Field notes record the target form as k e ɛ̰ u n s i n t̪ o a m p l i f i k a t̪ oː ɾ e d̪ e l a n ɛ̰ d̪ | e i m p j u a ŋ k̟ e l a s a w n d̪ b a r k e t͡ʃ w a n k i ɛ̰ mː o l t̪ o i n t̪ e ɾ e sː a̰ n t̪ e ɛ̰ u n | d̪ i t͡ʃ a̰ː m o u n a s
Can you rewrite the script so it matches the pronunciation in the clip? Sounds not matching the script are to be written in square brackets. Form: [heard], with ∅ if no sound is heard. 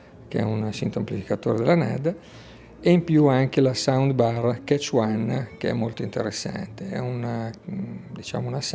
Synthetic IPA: k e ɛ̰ u n s i n t̪ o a m p l i f i k a t̪ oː ɾ e d̪ e l a n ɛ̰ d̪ | e i m p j u a ŋ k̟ e l a s a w n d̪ b a r k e t͡ʃ w a n k [e] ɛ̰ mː o l t̪ o i n t̪ e ɾ e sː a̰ n t̪ e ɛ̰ u n | d̪ i t͡ʃ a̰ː m o u n a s